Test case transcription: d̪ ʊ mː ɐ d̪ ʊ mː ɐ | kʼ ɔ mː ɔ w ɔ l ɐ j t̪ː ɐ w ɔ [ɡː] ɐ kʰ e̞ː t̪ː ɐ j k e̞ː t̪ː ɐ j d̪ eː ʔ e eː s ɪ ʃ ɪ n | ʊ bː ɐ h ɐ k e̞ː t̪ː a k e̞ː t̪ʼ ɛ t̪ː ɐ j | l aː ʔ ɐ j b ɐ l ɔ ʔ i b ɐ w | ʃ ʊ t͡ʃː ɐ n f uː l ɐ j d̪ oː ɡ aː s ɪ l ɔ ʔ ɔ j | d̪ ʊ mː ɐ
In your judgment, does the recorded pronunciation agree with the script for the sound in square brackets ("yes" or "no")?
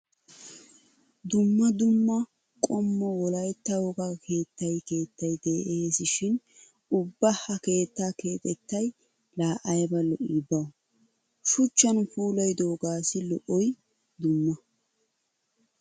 no